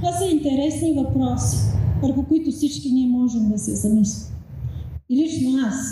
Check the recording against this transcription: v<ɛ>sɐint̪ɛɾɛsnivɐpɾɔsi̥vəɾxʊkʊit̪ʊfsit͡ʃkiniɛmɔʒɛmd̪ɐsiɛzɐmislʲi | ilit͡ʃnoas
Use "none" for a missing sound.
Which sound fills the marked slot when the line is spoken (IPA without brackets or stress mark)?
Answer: a